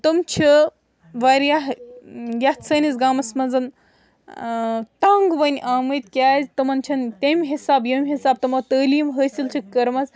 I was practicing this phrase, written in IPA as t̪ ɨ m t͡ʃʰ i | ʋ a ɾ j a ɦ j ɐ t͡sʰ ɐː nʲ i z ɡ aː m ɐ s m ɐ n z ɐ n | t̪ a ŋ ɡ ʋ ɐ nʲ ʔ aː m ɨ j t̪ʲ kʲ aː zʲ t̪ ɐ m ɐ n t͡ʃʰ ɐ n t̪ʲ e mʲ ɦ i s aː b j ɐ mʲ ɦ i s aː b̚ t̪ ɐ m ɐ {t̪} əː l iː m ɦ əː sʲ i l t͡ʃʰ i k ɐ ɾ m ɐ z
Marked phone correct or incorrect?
correct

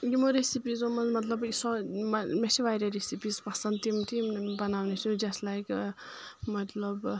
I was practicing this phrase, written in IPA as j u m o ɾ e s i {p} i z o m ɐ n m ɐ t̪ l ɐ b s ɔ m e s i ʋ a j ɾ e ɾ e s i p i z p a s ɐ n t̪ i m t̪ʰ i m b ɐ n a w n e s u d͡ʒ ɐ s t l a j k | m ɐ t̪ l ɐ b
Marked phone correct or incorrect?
correct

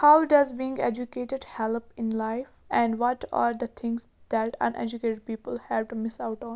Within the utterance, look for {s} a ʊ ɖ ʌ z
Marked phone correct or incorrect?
incorrect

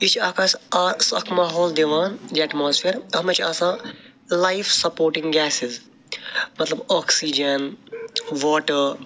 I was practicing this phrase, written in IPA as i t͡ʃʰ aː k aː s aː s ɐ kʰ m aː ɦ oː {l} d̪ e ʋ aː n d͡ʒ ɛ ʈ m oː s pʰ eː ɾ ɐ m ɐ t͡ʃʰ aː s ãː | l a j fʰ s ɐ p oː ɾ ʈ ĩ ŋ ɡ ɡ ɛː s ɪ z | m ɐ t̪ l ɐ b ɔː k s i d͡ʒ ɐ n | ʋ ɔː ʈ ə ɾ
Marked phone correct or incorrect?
correct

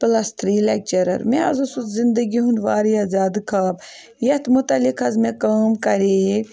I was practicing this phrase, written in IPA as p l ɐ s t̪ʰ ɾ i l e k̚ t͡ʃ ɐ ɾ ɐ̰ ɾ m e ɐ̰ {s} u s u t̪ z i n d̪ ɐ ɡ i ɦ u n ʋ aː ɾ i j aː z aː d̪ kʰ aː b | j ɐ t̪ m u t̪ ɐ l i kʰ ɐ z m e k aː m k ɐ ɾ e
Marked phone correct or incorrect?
incorrect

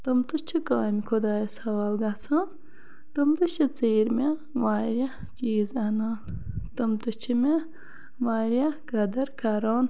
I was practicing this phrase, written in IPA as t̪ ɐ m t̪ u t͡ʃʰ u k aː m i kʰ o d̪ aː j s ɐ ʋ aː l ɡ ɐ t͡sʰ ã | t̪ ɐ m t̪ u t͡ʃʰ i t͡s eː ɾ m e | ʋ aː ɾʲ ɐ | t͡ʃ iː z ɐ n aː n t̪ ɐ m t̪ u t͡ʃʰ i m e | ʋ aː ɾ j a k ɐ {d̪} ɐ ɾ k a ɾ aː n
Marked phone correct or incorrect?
correct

